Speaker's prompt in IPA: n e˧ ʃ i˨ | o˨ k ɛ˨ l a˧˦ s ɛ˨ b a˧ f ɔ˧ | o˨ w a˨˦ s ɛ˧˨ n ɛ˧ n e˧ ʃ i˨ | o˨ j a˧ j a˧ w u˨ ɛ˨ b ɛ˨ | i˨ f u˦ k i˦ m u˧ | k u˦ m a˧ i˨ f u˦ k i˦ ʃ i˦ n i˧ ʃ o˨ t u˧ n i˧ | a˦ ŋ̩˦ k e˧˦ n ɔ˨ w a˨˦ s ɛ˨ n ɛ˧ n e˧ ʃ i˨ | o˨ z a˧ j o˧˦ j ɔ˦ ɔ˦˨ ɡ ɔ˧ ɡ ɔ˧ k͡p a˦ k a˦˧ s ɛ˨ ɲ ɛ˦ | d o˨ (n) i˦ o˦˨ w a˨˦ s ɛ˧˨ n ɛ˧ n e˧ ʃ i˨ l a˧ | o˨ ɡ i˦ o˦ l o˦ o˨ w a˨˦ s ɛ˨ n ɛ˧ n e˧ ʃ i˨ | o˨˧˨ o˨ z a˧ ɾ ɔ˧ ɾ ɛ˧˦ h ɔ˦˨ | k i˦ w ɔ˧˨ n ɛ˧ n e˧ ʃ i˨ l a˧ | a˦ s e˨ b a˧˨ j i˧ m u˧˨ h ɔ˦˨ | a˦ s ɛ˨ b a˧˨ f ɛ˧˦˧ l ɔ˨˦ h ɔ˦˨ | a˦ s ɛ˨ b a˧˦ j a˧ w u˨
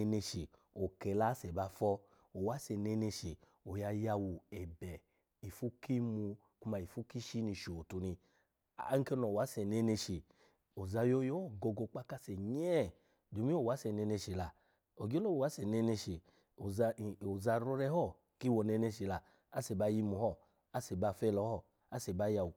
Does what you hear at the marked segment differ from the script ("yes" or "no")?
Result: yes